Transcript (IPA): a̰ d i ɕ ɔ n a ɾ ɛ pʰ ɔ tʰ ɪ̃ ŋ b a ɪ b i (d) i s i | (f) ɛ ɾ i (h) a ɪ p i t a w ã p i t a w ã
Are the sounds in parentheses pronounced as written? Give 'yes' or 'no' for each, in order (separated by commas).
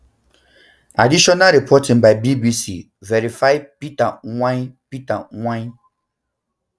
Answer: no, no, no